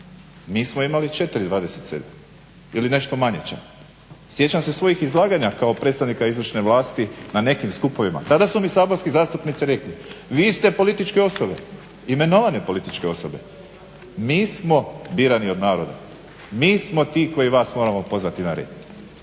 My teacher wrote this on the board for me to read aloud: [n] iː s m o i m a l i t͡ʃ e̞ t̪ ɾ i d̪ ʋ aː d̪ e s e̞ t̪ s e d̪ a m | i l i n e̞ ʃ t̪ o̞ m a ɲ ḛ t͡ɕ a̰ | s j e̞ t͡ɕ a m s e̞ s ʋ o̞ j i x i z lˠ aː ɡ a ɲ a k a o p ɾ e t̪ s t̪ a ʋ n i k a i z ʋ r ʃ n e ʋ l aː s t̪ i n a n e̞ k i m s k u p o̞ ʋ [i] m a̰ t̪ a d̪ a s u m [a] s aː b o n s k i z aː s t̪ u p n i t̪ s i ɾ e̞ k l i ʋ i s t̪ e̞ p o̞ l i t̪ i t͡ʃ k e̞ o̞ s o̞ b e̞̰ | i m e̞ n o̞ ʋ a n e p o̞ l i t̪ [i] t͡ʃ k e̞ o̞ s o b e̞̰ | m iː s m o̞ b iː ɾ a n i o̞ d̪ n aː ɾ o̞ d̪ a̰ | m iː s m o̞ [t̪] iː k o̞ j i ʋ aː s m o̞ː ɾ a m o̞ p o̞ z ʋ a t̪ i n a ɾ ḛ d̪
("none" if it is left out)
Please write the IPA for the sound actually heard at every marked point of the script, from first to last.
m, i, i, i, t̪

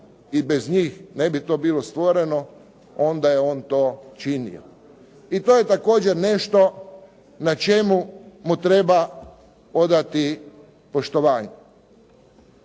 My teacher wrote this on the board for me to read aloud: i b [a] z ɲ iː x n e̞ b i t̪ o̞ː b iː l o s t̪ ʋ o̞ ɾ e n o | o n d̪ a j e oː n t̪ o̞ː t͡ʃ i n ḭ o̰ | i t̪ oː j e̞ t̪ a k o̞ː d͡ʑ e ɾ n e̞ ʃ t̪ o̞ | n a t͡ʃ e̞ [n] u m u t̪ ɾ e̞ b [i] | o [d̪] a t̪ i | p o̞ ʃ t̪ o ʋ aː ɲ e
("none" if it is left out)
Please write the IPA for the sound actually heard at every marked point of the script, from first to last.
e, m, a, d̪

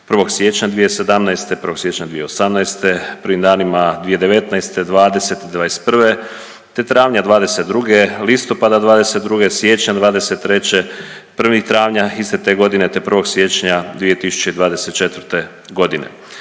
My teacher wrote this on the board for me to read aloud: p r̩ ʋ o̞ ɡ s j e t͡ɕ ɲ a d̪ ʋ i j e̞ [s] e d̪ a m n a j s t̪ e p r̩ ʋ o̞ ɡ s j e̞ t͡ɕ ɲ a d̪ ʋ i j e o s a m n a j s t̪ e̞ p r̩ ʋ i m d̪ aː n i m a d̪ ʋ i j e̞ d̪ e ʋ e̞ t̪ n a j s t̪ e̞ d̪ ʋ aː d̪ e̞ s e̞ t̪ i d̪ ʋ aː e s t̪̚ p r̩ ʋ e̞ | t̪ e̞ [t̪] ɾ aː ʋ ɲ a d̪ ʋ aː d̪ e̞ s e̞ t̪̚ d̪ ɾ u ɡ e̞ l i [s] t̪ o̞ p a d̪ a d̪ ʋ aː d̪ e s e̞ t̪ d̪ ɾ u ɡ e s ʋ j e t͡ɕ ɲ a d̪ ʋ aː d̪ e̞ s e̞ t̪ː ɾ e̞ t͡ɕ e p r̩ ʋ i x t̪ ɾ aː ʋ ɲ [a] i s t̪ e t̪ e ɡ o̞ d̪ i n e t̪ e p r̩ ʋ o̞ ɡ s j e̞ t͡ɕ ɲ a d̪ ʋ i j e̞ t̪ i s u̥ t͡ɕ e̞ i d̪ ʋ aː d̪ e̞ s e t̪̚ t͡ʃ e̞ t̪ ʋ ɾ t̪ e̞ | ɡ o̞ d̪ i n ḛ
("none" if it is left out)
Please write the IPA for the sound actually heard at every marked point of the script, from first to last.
s, t̪, s, a

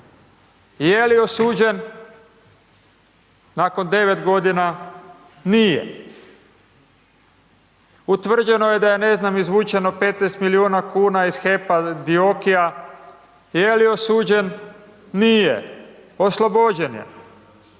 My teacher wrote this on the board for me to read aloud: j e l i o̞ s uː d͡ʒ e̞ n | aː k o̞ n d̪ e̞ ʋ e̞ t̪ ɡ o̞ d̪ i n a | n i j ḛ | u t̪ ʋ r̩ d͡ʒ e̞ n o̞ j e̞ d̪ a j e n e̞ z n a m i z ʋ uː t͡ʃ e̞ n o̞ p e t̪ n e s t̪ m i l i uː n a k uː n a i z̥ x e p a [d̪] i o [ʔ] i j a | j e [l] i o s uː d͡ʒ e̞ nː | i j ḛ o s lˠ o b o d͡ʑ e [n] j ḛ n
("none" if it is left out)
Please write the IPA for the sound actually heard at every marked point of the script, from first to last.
d̪, k, l, n

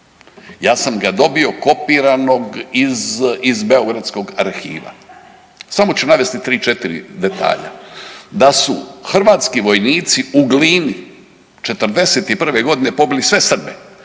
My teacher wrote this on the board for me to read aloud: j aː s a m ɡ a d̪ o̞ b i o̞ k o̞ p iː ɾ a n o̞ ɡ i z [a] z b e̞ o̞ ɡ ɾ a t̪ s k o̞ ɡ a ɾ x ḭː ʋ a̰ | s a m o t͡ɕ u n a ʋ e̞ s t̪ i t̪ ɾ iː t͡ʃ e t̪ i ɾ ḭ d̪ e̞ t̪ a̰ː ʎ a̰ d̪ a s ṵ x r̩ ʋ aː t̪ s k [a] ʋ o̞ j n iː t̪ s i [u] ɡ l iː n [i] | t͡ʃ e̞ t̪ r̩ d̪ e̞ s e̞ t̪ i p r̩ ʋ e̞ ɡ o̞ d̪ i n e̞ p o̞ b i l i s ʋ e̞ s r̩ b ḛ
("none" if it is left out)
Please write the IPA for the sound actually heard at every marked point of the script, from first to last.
i, i, u, i

